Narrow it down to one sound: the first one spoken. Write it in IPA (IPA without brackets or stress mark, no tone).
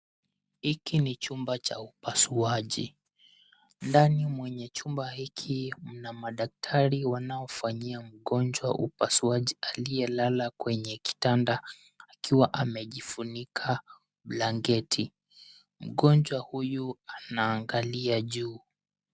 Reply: h